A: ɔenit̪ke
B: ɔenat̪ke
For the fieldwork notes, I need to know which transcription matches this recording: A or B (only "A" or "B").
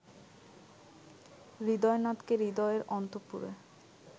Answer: B